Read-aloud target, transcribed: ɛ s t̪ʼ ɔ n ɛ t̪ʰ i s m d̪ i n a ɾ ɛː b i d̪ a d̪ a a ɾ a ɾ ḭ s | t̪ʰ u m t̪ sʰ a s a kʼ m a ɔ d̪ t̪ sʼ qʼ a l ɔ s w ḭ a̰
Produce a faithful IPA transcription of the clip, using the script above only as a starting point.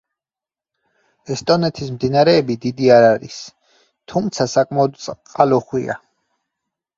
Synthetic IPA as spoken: ɛ s t̪ʼ ɔ n ɛ t̪ʰ i s m d̪ i n a ɾ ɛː b i d̪ i d̪ i a ɾ a ɾ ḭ s | t̪ʰ u m t̪ sʰ a s a kʼ m a ɔ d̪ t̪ sʼ qʼ a l ɔ χ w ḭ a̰